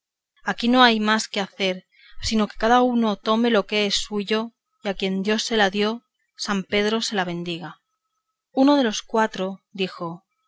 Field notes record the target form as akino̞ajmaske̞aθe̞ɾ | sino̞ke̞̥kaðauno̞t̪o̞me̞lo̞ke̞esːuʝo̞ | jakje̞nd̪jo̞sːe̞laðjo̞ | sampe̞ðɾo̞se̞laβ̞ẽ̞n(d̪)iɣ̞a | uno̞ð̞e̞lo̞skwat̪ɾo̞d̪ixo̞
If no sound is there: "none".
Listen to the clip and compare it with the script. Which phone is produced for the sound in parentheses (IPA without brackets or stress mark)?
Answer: d̪